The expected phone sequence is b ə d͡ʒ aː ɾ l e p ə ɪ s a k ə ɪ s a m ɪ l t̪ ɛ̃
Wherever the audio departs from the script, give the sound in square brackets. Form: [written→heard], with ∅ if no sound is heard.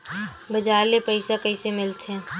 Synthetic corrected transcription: b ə d͡ʒ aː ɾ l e p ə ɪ s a k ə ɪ s [a→e] m ɪ l t̪ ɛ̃